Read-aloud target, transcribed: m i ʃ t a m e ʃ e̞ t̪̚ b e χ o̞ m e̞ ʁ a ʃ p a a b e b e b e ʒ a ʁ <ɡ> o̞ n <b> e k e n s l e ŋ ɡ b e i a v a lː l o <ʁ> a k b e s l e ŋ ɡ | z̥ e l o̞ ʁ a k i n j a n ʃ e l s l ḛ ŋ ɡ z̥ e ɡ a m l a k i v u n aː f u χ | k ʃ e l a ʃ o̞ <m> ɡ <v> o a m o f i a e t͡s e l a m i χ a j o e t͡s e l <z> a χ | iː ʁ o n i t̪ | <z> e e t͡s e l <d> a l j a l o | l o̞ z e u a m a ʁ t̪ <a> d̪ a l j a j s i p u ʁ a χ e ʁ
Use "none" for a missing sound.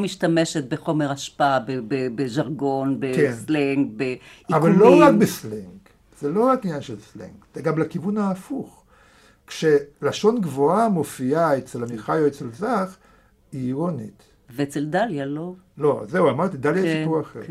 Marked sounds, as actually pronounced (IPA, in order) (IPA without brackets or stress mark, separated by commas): ɡ, b, ʁ, n, v, z, v, d, i